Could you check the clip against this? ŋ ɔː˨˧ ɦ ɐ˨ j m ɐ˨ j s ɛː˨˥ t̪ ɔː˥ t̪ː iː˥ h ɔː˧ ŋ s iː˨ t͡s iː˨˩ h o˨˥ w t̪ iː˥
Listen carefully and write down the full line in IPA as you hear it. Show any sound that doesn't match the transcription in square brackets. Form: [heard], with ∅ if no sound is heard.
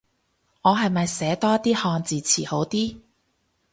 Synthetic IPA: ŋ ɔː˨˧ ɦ ɐ˨ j m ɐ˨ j s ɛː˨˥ t̪ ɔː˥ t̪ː iː˥ h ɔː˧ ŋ [t͡s] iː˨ [t͡sʰ] iː˨˩ h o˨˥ w t̪ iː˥